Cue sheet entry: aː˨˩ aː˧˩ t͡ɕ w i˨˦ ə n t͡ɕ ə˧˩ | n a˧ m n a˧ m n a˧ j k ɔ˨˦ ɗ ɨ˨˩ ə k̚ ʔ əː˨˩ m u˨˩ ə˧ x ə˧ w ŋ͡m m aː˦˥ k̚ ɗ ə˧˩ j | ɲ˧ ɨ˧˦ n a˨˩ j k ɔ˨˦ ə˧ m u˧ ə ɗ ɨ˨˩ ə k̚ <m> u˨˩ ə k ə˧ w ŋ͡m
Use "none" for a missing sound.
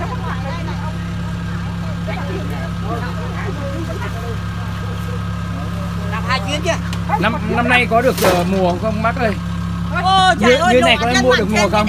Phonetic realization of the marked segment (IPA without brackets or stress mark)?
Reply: m